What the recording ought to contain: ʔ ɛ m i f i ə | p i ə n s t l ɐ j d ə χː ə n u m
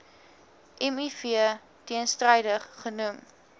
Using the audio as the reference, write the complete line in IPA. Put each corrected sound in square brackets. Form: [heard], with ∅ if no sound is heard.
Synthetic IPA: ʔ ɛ m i f i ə | [t] i ə n s t [r] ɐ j d ə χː ə n u m